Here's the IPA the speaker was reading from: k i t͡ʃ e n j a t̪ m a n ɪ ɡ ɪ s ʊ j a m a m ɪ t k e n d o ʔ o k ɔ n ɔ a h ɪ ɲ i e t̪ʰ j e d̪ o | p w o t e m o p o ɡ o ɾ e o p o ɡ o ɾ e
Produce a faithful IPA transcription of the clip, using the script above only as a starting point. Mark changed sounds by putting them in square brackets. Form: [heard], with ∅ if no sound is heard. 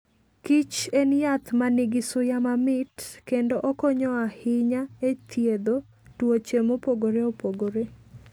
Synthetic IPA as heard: k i t͡ʃ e n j a t̪ m a n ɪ ɡ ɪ s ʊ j a m a m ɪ t k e n d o ʔ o k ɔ [ɲ] ɔ a h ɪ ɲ [a] e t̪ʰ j e d̪ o | [t] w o [t͡ʃ] e m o p o ɡ o ɾ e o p o ɡ o ɾ e

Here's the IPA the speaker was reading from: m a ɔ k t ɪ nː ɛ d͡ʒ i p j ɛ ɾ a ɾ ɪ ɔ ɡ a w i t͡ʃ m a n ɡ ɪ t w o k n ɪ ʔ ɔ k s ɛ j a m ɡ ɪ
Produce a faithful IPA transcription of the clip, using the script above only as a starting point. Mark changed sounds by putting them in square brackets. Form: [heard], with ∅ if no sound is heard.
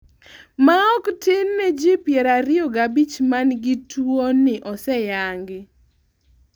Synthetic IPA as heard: m a ɔ k t ɪ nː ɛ d͡ʒ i p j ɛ ɾ a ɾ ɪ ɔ ɡ a [b] i t͡ʃ m a n ɡ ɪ t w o [∅] n ɪ ʔ ɔ [∅] s ɛ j a [ŋ] ɡ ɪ

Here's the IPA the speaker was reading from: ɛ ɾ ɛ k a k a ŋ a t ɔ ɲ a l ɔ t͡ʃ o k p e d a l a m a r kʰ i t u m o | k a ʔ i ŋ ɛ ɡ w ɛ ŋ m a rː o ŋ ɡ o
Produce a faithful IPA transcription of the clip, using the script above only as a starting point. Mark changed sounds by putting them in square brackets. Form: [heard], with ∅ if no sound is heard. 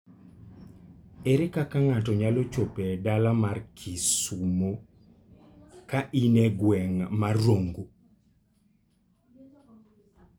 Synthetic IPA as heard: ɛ ɾ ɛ k a k a ŋ a t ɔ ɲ a l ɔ t͡ʃ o [∅] p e d a l a m a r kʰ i [s] u m o | k a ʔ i [n] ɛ ɡ w ɛ ŋ m a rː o ŋ ɡ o

